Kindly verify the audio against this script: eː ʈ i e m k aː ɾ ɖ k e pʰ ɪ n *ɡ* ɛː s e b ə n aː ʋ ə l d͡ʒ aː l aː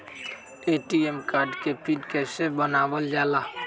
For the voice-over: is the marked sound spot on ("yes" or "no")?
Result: no